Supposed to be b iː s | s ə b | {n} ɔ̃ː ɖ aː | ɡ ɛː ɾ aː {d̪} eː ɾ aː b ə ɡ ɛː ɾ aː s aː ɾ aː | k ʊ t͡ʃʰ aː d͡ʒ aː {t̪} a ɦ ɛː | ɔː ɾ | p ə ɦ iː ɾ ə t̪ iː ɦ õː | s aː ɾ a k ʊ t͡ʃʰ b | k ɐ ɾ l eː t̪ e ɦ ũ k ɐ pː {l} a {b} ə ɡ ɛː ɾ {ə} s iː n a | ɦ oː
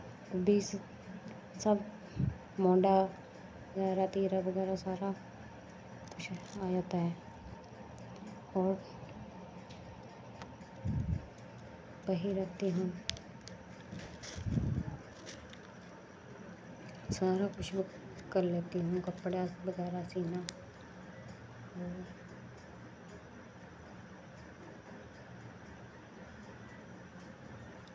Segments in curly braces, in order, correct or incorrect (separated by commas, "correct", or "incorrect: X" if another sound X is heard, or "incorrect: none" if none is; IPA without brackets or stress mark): incorrect: m, incorrect: t̪, correct, incorrect: ɽ, correct, incorrect: a